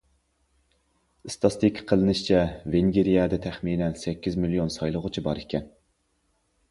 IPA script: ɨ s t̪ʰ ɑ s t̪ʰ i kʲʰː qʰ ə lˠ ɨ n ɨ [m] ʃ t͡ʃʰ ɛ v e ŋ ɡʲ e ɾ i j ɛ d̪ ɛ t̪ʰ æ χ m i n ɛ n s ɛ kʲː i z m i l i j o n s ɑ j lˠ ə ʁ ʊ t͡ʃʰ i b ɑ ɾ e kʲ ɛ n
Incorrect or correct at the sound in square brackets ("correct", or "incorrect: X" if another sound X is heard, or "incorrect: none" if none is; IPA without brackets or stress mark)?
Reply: incorrect: none